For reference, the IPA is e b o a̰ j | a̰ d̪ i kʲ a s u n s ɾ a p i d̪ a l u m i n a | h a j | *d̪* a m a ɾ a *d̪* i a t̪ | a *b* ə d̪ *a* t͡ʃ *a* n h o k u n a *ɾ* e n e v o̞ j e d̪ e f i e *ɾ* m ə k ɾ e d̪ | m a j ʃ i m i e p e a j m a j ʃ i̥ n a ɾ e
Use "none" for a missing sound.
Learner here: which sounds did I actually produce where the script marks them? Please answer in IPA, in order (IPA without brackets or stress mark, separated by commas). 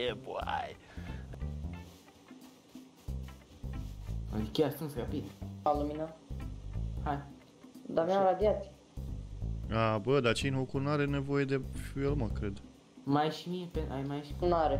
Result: d̪, d̪, b, a, i, ɾ, l